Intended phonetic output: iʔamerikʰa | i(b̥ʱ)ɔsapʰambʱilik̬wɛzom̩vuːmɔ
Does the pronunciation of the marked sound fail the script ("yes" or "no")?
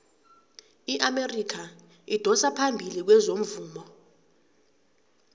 yes